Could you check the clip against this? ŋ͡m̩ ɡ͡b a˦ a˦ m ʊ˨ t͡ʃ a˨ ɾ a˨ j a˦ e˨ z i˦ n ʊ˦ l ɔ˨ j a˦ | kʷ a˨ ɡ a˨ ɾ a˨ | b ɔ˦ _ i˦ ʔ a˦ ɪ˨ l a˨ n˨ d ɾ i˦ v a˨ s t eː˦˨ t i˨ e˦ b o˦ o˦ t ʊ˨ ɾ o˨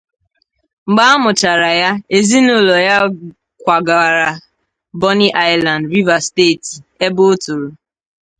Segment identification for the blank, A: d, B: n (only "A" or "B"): B